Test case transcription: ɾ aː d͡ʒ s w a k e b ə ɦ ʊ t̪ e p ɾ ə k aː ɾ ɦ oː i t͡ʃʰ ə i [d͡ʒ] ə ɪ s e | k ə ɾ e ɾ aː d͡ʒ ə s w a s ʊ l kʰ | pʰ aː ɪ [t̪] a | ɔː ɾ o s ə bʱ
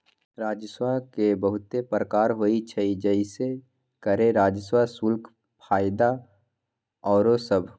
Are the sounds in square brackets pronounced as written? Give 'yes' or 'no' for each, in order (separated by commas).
yes, no